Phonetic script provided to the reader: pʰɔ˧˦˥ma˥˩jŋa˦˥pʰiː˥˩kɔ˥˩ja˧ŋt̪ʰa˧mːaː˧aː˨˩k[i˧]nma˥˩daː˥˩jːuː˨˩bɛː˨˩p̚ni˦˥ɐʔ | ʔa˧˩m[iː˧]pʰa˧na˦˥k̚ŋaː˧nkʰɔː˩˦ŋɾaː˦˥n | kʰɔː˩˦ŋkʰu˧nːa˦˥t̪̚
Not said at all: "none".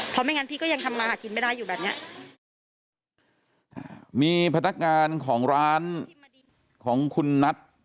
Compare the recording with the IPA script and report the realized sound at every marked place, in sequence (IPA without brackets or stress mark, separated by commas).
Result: i˧, iː˧